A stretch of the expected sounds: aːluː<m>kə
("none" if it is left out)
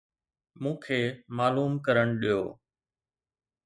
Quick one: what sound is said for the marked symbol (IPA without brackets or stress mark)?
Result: m